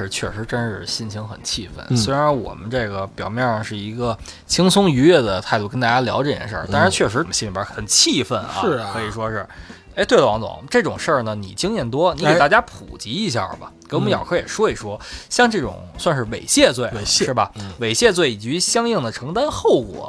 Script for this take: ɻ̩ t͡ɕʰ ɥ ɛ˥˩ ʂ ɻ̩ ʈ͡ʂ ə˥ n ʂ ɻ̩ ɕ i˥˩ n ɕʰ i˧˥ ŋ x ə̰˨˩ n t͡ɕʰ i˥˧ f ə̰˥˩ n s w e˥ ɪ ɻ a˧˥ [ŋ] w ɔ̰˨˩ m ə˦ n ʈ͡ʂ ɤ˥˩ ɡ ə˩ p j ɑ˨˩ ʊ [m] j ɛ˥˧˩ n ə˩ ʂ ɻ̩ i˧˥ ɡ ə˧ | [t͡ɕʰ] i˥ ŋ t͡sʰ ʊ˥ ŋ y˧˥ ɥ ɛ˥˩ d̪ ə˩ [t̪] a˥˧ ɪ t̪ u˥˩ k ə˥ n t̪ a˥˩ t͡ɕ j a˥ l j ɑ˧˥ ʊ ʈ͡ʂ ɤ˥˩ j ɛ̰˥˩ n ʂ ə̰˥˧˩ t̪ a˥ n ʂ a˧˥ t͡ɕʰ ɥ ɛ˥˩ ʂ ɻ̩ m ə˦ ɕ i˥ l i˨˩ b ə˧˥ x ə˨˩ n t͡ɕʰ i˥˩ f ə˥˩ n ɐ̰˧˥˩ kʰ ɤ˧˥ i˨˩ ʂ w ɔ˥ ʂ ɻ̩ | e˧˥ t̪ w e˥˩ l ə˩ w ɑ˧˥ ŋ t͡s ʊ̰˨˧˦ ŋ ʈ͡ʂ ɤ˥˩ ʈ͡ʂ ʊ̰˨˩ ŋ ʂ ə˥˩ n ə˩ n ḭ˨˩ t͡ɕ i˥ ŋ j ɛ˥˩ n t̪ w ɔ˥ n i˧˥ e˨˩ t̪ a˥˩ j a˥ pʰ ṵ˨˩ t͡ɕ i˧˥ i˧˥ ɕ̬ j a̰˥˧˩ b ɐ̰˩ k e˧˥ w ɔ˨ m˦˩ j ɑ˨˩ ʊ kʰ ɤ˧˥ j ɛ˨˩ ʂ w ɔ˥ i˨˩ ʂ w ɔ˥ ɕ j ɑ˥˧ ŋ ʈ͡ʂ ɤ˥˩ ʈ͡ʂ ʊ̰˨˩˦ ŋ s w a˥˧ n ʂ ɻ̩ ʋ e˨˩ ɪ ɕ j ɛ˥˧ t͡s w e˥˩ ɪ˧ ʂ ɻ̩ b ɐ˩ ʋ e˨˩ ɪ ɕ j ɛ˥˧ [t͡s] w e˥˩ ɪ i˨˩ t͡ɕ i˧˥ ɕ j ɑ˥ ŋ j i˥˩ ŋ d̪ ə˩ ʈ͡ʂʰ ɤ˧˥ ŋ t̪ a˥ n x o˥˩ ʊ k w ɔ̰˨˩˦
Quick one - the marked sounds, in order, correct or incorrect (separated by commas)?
incorrect, correct, correct, incorrect, correct